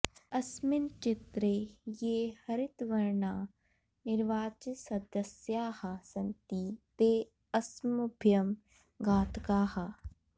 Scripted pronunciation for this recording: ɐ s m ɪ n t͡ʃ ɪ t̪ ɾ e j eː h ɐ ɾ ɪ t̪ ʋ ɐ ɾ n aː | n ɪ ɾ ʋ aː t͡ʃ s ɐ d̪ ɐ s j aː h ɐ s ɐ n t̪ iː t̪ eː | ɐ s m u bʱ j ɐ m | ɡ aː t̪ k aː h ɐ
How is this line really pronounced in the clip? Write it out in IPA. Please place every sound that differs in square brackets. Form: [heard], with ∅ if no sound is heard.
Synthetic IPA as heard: ɐ s m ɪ n t͡ʃ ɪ t̪ ɾ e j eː h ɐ ɾ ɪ t̪ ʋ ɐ ɾ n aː | n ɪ ɾ ʋ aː t͡ʃ s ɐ d̪ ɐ s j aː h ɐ s ɐ n t̪ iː t̪ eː | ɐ s m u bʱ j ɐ m | ɡ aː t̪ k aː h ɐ